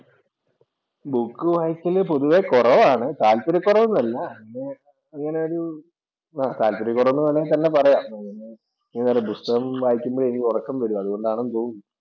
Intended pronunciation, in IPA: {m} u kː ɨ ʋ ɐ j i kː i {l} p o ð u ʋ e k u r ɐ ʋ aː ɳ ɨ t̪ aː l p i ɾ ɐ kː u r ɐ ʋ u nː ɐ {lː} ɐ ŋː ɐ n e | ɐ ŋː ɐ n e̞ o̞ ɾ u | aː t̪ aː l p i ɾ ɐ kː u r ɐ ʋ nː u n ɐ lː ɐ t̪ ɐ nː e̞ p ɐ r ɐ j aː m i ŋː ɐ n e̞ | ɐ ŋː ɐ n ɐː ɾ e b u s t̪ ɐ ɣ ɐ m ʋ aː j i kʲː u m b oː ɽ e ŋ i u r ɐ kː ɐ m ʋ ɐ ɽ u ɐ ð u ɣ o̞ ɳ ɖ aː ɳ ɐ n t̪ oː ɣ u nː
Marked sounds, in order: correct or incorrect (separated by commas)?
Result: incorrect, correct, correct